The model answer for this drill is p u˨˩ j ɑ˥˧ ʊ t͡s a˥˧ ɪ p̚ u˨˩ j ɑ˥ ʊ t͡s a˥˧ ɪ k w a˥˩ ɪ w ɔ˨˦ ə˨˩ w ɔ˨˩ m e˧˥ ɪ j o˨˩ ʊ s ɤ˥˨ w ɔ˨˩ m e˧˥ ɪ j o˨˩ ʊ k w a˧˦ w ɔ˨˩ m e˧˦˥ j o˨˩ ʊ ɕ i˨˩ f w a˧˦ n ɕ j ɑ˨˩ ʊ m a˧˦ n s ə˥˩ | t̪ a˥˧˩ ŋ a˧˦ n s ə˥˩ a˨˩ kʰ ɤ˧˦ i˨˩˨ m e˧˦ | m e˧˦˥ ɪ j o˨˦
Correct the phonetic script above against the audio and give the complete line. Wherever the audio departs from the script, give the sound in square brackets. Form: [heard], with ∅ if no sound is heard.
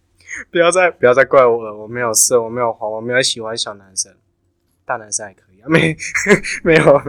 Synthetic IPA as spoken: p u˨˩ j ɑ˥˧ ʊ t͡s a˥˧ ɪ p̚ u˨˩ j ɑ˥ ʊ t͡s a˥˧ ɪ k w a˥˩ ɪ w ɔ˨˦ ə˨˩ w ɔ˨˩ m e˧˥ ɪ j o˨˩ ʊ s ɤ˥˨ w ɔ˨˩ m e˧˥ ɪ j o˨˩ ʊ [x] w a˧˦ w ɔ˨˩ m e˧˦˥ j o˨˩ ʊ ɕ i˨˩ [x] w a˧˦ n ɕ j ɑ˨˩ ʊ [n] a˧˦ n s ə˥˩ | t̪ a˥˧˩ [n] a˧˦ n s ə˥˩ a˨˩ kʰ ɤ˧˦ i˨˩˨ m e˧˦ | m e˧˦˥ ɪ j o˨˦